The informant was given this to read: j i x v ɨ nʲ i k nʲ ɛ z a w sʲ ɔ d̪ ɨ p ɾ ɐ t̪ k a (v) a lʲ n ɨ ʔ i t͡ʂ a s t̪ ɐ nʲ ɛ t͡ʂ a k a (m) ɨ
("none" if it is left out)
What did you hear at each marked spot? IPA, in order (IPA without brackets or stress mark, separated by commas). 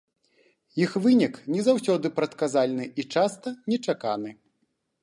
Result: z, n